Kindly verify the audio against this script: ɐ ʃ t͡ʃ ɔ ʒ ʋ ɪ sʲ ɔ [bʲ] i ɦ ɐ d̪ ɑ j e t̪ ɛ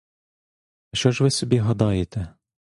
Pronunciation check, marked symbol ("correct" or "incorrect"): correct